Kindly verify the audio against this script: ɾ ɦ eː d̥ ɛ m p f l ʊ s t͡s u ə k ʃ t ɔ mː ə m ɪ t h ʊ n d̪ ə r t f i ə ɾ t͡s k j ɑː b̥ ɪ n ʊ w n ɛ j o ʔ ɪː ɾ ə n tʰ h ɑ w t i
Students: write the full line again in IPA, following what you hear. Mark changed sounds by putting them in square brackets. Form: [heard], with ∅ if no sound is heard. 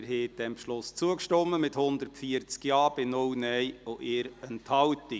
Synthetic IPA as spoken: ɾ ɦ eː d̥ ɛ m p [ʃ] l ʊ s t͡s u ə k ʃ t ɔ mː ə m ɪ t h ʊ n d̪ ə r t f i ə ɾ t͡s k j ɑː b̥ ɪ n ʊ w n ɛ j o ʔ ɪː ɾ ə n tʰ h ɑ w t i